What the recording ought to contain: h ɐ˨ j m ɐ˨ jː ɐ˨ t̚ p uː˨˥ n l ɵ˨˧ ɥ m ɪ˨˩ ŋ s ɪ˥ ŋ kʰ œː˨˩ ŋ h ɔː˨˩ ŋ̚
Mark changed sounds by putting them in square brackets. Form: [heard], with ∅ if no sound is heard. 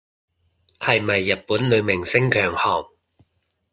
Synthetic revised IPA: h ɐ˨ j m ɐ˨ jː ɐ˨ t̚ p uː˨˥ n l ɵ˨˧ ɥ m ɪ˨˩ ŋ s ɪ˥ ŋ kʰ œː˨˩ ŋ h ɔː˨˩ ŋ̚